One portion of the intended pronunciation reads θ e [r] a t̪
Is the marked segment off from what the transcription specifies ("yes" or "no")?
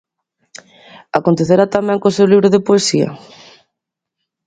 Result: yes